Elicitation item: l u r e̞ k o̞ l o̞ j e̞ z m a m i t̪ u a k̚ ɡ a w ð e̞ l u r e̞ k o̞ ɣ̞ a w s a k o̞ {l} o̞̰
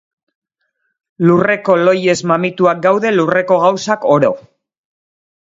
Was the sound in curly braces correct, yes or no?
no